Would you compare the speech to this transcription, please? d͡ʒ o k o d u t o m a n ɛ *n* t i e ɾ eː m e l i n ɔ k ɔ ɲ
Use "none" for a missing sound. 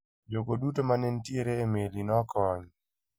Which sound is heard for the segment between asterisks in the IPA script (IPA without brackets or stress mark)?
n